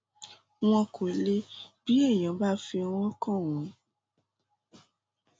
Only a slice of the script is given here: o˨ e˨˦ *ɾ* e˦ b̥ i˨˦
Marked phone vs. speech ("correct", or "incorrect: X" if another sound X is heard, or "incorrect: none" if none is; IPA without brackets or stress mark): incorrect: l